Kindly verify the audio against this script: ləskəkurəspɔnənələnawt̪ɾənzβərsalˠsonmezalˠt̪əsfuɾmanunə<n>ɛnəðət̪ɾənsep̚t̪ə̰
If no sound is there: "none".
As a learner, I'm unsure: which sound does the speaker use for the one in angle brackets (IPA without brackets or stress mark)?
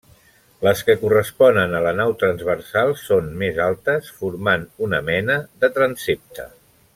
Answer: m